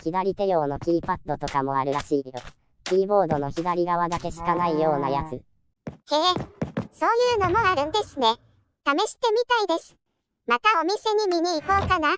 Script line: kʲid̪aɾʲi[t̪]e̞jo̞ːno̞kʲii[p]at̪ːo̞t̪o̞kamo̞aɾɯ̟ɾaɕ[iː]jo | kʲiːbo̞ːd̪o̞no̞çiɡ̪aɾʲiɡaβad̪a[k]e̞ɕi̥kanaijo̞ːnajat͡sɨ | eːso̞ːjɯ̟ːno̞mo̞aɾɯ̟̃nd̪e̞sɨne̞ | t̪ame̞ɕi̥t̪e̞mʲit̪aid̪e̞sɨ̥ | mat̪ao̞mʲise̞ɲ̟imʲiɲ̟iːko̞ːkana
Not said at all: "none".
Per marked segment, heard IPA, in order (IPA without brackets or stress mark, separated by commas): t̪, p, iː, k